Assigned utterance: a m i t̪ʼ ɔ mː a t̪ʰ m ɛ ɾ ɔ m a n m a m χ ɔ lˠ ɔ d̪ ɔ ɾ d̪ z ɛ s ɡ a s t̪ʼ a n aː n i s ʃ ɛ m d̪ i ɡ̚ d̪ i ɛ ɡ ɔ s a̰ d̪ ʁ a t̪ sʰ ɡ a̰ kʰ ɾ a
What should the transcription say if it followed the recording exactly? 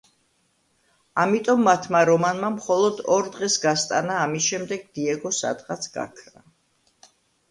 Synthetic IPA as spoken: a m i t̪ʼ ɔ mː a t̪ʰ m a ɾ ɔ m a n m a m χ ɔ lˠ ɔ d̪ ɔ ɾ d̪ ʁ ɛ s ɡ a s t̪ʼ a n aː m i s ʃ ɛ m d̪ ɛ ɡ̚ d̪ i ɛ ɡ ɔ s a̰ d̪ ʁ a t̪ sʰ ɡ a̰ kʰ ɾ a